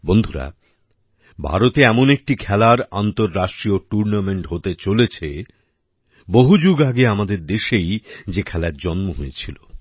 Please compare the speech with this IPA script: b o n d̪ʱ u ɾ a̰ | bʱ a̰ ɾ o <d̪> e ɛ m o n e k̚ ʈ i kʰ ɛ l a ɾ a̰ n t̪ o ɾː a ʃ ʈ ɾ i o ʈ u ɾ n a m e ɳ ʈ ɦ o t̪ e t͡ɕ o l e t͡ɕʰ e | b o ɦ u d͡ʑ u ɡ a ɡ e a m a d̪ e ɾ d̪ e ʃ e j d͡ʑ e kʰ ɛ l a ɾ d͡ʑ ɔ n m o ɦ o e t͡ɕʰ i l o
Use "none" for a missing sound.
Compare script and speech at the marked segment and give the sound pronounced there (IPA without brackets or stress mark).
t̪